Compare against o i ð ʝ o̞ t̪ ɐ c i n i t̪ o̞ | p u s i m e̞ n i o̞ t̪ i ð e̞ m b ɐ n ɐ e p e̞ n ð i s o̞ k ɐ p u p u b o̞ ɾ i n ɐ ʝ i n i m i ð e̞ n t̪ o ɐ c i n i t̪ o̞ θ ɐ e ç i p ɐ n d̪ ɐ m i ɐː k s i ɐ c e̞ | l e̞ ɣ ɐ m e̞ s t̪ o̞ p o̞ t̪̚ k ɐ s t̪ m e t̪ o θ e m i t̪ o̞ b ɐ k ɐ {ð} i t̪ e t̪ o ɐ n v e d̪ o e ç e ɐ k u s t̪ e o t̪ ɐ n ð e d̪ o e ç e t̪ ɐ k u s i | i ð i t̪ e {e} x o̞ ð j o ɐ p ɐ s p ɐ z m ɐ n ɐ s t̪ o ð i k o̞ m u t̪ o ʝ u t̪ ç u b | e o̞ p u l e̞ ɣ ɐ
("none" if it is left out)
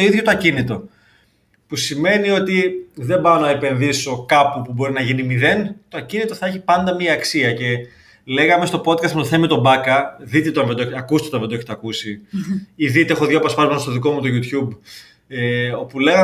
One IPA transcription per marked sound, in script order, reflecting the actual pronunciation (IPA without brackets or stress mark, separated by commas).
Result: ð, e